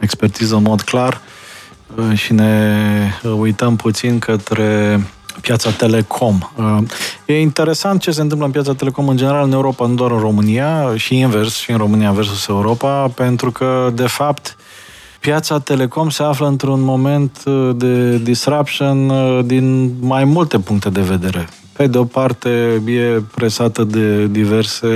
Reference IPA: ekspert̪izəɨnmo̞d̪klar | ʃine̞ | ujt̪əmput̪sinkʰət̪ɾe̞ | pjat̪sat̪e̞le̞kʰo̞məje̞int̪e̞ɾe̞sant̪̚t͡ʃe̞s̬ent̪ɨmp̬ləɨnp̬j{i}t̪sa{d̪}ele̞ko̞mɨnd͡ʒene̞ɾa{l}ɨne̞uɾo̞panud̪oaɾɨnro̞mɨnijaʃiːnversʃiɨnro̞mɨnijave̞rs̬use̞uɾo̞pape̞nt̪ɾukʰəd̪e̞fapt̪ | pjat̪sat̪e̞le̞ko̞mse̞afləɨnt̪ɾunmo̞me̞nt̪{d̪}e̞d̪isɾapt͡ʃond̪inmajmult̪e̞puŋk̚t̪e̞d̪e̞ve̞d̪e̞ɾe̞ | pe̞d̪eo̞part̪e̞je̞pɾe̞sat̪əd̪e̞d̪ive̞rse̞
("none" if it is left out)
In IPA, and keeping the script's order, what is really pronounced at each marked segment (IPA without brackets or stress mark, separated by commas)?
a, t̪, l, d̪